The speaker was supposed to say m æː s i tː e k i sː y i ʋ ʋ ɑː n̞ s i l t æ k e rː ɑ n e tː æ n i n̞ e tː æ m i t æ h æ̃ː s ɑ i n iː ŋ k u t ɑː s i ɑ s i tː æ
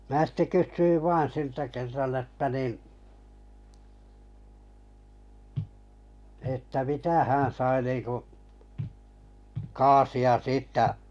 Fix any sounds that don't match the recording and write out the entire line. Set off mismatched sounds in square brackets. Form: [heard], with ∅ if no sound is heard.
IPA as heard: m æː s i tː e k [y] sː y i ʋ ʋ ɑː n̞ s i l t æ k e rː ɑ n e tː æ n i n̞ e tː æ m i t æ h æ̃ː s ɑ i n iː ŋ k u [k] ɑː s i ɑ s [iː] tː æ